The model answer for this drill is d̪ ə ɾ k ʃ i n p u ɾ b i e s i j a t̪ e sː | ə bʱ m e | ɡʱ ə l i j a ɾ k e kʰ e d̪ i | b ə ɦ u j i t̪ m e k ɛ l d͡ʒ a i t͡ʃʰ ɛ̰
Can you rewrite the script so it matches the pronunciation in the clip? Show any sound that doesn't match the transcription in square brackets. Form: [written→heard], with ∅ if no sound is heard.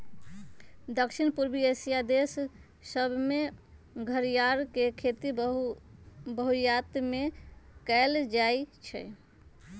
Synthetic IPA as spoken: d̪ ə [ɾ→∅] k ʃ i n p u ɾ b i e s i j a [t̪→d̪] e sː | ə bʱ m e | ɡʱ ə [l→ɾ] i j a ɾ k e kʰ e [d̪→t̪] i | b ə ɦ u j [i→a] t̪ m e k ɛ l d͡ʒ a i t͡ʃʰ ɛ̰